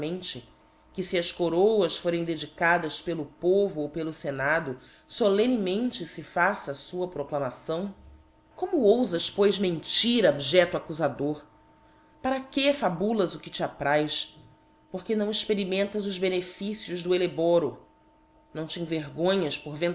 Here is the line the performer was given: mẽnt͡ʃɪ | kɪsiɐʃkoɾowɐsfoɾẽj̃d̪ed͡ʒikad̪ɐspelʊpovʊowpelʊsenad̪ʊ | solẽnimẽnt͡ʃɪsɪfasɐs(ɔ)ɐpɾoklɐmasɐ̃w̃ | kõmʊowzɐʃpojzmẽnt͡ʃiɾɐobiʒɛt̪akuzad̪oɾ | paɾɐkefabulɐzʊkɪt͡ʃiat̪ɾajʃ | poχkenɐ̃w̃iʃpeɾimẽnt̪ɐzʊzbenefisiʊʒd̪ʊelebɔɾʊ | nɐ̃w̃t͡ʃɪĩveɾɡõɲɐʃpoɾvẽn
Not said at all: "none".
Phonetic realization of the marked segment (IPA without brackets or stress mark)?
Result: u